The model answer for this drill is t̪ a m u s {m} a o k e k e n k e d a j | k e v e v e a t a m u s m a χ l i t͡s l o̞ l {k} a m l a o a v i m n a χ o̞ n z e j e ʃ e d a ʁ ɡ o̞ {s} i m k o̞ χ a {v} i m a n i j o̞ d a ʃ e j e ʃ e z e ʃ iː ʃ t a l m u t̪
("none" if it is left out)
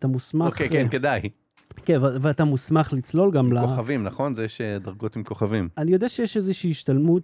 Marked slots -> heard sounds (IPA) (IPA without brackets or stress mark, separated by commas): m, ɡ, t, v